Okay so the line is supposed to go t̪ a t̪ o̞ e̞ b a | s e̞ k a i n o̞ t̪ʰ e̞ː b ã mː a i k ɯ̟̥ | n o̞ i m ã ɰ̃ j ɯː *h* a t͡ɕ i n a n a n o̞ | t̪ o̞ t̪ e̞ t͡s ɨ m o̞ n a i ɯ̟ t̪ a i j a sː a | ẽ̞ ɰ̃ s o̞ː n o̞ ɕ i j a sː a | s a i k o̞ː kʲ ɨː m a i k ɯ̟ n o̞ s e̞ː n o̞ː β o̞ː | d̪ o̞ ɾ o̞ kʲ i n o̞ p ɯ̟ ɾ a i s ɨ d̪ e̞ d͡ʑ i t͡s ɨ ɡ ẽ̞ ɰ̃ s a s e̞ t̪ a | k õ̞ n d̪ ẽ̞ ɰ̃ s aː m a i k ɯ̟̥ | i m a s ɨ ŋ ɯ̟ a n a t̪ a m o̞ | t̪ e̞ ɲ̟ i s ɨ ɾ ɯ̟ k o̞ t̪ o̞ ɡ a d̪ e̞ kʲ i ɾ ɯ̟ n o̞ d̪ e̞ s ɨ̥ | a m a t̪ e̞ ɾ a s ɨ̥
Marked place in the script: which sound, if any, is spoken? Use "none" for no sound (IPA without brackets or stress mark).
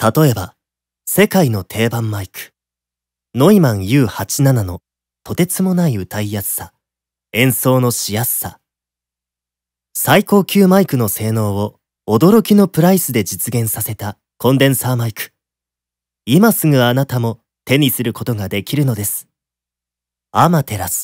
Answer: h